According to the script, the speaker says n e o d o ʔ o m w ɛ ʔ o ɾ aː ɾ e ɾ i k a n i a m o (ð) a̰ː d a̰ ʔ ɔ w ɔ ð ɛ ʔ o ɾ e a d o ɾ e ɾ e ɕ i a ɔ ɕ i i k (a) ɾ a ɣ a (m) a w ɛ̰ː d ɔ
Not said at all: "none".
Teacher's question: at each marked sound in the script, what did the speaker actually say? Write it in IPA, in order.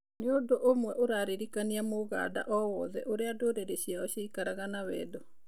ɣ, a, n

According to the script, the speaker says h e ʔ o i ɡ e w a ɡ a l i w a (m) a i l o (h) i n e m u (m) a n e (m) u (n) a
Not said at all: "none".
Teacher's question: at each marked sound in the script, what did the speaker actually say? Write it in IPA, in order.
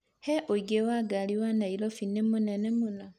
n, f, n, m, n

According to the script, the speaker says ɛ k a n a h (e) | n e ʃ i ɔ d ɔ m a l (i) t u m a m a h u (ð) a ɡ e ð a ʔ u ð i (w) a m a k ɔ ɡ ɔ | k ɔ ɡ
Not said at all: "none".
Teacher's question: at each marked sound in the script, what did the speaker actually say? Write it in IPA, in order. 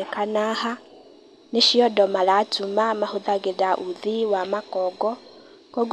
a, a, ð, w

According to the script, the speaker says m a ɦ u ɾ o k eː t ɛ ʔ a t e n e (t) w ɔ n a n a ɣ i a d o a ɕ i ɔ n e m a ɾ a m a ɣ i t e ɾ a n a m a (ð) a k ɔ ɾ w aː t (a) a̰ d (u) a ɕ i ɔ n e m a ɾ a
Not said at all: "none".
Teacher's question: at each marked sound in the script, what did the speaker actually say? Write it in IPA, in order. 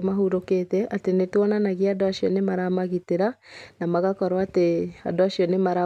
t, ɣ, e, o

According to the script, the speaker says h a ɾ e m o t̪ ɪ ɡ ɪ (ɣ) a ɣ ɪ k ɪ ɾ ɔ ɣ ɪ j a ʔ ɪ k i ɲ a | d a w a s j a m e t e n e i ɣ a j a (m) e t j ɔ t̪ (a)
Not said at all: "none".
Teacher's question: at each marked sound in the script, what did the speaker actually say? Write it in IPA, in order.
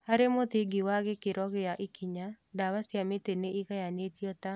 w, n, a

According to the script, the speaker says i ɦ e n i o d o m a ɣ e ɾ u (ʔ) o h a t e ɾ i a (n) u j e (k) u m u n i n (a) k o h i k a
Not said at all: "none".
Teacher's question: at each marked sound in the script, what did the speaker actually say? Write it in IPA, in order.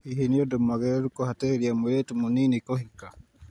k, m, t, i

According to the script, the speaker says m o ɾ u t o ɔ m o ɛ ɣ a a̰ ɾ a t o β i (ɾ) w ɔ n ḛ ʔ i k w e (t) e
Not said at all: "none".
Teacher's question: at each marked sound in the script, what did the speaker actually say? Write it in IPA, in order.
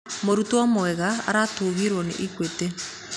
ɾ, t

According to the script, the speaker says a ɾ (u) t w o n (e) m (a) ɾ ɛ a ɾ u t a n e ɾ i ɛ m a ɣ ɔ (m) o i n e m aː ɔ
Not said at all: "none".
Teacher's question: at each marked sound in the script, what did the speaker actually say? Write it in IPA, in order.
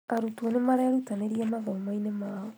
u, e, a, m

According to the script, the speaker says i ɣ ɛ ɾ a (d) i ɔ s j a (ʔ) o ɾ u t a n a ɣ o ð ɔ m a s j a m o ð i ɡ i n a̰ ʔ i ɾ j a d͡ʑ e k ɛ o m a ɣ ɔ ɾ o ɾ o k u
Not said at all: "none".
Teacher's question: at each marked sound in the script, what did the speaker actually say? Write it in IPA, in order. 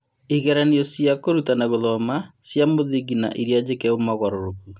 n, k

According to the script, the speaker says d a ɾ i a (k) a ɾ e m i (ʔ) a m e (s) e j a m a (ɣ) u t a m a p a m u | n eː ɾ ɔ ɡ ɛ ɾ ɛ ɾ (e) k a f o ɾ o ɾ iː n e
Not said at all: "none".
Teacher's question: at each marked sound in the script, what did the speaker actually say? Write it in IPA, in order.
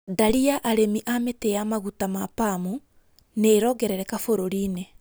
ʔ, ʔ, t, ɣ, ɛ

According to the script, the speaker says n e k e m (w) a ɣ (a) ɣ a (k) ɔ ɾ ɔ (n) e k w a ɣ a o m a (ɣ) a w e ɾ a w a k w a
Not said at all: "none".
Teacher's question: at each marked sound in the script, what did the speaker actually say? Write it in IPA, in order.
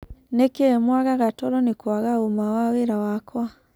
w, a, t, n, w

